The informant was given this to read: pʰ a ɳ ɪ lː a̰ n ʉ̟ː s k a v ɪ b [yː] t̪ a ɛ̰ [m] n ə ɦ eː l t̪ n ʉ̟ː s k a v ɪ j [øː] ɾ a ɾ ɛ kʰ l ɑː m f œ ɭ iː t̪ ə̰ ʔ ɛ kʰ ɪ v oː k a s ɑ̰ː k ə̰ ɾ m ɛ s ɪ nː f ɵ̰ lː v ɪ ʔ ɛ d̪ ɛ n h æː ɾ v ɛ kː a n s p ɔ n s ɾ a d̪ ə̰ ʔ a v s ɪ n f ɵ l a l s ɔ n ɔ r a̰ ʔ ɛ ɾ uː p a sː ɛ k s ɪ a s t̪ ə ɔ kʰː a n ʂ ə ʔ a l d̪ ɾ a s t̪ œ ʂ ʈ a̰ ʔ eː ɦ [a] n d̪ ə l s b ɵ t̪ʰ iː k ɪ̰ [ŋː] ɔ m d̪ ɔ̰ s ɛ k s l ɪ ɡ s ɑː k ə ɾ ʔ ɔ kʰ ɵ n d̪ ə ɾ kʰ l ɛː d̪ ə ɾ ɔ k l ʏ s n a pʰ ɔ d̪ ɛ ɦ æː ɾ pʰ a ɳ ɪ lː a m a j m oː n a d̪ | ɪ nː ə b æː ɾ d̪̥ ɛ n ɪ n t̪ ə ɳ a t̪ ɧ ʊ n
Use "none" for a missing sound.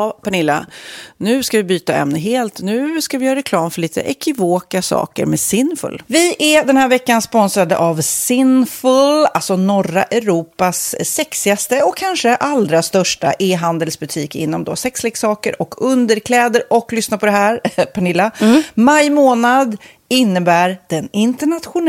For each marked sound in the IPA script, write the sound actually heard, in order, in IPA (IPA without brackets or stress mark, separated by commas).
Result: yː, m, œː, a, nː